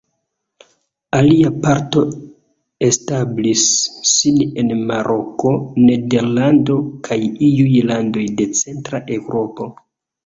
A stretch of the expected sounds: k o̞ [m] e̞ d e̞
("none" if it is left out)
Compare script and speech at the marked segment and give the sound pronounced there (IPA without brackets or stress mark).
n